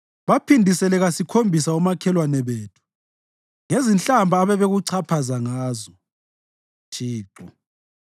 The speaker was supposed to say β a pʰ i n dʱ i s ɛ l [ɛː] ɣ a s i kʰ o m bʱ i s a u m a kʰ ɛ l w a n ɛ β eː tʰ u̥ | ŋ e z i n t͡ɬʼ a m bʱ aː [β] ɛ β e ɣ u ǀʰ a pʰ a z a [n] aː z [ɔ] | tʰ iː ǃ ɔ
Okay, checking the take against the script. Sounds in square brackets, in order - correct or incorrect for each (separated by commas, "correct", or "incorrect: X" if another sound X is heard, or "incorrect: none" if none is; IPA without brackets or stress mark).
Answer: incorrect: ɛ, correct, incorrect: ŋ, correct